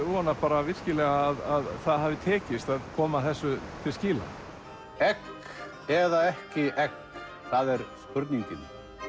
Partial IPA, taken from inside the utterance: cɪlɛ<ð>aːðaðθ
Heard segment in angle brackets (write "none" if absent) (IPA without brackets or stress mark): ɣ